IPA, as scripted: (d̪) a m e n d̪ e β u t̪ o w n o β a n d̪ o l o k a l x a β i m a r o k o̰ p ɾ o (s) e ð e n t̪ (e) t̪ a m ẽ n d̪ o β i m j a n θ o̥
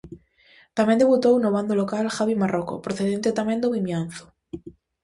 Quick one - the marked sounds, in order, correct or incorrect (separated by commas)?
incorrect, incorrect, correct